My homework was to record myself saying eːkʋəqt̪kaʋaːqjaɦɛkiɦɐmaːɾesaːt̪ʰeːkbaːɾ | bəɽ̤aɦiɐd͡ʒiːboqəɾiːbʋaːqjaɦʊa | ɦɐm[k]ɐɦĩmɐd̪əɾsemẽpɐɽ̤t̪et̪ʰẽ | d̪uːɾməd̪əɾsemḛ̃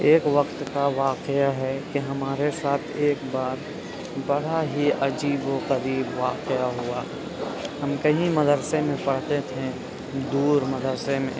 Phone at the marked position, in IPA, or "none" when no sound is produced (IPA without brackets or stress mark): k